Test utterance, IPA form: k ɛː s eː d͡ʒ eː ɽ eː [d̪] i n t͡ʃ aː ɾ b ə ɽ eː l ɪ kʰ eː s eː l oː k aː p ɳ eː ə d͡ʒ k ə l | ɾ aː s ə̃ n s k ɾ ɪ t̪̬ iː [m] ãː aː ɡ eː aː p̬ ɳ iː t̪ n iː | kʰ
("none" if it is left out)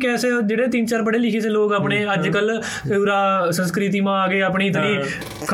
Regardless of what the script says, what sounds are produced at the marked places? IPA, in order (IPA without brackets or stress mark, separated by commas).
t̪, m